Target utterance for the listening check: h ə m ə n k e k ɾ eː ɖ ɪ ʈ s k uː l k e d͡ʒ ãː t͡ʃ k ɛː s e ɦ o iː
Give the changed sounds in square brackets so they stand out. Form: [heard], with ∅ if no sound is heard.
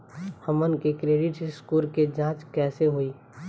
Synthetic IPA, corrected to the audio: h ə m ə n k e k ɾ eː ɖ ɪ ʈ s k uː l k e d͡ʒ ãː t͡ʃ k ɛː s e ɦ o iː